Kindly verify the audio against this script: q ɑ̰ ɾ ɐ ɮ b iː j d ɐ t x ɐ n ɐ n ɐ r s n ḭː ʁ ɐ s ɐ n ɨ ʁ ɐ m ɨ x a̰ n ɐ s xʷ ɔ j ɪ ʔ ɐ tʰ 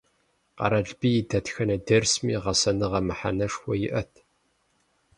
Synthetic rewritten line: q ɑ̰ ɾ ɐ ɮ b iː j d ɐ t x ɐ n ɐ d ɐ r s m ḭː ʁ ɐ s ɐ n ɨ ʁ ɐ m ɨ ħ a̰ n ɐ ʂ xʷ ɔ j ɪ ʔ ɐ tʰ